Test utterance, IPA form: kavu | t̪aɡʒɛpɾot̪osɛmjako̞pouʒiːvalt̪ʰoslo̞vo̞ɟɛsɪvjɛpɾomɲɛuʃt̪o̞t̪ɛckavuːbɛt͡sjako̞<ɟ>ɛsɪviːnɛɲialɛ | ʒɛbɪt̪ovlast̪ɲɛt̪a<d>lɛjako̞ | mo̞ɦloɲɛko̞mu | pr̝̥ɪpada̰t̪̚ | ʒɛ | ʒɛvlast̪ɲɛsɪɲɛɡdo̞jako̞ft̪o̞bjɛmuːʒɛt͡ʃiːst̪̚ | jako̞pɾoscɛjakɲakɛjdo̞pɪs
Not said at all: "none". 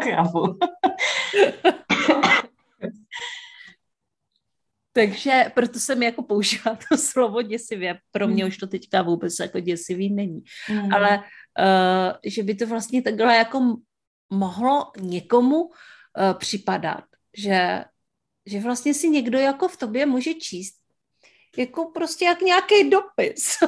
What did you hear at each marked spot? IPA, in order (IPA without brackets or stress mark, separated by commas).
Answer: ɟ, ɡ